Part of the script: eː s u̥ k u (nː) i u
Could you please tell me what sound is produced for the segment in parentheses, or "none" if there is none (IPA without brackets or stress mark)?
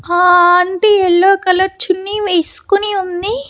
n